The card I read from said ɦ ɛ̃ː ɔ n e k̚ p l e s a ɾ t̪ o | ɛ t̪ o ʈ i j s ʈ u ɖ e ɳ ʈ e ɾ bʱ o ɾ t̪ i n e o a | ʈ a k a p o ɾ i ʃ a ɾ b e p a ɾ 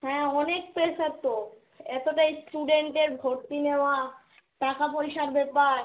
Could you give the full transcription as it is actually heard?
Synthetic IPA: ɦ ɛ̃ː ɔ n e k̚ p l e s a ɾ t̪ o | ɛ t̪ o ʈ a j s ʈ u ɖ e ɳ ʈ e ɾ bʱ o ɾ t̪ i n e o a | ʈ a k a p o ɾ i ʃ a ɾ b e p a ɾ